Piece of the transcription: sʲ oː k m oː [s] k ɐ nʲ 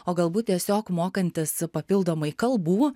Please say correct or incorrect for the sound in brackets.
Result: incorrect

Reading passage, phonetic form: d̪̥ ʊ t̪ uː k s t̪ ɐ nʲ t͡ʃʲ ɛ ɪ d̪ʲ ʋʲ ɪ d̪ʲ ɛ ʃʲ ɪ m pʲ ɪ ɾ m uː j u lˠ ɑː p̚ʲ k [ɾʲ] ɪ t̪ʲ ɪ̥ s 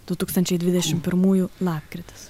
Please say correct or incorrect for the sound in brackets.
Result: correct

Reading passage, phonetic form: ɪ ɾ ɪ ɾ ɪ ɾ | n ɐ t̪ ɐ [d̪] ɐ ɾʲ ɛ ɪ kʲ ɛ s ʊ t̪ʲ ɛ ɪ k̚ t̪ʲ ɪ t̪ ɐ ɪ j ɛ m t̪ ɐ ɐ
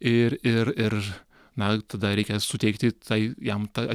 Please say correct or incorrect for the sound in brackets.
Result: correct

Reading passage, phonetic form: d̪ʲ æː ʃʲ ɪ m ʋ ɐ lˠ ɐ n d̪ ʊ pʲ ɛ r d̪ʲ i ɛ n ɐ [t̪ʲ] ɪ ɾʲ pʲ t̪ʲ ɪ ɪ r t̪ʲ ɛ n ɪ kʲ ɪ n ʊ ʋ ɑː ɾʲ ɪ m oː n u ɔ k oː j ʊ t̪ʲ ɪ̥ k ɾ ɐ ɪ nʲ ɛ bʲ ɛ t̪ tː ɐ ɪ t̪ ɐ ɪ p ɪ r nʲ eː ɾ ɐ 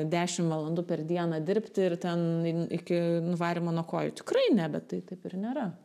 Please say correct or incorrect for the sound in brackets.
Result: incorrect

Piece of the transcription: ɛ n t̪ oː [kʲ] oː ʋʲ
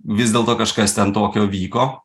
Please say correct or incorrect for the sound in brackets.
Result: correct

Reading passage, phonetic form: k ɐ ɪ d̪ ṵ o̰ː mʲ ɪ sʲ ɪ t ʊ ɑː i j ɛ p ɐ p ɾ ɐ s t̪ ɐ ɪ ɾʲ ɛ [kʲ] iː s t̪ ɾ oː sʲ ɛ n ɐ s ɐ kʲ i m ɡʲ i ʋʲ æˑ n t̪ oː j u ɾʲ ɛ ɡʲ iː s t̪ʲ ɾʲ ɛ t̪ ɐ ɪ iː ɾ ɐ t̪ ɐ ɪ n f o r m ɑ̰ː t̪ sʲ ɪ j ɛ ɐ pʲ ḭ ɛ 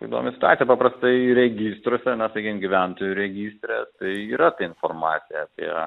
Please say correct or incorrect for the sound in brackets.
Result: incorrect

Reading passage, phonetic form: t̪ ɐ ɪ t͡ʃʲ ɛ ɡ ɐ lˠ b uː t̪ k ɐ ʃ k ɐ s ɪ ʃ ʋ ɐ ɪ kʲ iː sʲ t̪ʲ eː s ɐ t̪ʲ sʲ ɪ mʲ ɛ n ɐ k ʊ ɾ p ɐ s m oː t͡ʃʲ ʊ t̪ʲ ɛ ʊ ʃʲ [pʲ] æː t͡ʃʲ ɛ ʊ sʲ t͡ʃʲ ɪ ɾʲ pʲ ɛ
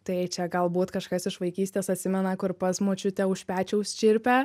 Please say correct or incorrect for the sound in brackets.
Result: correct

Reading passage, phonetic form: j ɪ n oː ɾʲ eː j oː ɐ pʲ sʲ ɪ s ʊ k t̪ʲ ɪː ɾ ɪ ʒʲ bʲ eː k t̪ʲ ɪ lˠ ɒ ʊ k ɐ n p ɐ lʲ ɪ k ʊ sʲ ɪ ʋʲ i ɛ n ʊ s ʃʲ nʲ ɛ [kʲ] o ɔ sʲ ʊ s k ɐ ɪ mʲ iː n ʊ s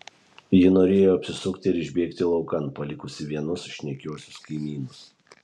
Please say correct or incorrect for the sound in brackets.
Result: correct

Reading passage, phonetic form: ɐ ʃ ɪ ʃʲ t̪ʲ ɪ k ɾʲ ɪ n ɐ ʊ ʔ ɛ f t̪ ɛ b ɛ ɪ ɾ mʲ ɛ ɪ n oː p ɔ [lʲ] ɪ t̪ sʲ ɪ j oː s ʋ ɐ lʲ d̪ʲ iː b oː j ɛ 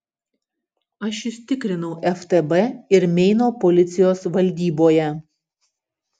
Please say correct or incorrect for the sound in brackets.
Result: correct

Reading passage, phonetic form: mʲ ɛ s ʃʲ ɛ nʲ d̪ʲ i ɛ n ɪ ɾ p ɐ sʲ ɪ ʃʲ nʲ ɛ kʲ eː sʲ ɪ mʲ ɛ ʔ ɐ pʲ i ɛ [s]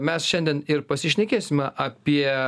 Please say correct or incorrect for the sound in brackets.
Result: incorrect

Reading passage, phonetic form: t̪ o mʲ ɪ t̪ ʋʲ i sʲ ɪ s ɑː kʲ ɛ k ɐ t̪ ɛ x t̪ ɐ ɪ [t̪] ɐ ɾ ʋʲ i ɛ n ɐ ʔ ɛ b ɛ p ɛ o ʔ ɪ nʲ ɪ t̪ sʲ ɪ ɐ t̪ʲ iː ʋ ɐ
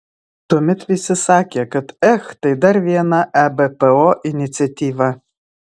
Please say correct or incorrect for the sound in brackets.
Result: incorrect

